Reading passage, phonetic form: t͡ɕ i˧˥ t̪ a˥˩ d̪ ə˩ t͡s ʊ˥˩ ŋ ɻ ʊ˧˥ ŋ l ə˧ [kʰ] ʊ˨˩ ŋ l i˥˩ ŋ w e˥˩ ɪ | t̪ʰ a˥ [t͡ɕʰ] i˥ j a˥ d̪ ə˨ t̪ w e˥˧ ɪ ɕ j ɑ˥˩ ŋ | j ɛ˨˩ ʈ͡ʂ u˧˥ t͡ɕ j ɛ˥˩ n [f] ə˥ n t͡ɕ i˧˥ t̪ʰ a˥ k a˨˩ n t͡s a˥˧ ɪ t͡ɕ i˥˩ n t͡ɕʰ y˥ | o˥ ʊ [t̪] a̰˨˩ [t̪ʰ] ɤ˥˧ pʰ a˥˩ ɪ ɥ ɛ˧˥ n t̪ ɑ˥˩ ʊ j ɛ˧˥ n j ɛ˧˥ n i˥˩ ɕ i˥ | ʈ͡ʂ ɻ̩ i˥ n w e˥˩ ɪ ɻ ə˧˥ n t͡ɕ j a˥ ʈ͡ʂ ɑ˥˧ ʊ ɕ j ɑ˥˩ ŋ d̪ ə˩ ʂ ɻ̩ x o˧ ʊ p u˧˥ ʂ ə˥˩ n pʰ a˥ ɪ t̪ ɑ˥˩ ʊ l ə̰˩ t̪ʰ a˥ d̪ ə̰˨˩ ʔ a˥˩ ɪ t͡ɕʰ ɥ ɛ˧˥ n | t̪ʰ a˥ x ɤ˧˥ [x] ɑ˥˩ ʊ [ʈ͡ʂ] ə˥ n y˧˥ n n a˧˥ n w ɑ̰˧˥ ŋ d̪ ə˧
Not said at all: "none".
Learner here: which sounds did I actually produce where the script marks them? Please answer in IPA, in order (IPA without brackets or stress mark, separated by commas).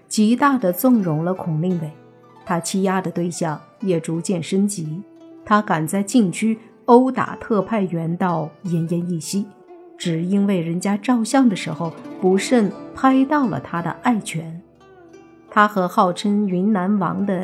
kʰ, t͡ɕʰ, ʂ, t̪, t̪ʰ, x, ʈ͡ʂʰ